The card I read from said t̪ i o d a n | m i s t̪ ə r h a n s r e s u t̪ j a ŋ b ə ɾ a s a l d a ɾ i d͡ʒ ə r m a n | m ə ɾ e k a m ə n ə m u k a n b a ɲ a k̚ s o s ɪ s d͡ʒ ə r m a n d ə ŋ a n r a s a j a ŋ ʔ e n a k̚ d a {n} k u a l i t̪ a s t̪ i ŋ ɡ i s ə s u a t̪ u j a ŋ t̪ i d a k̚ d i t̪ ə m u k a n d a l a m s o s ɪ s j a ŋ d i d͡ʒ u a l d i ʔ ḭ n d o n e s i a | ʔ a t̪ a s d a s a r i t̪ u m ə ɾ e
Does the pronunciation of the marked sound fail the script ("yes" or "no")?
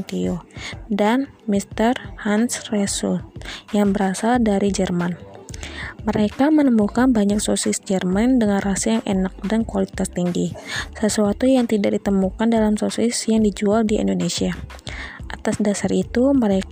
no